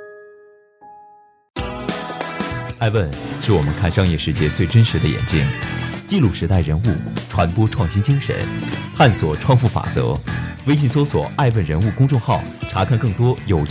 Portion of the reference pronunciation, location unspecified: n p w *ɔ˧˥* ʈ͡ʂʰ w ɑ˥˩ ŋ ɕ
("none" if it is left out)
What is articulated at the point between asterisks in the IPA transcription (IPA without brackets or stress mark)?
ɔ˥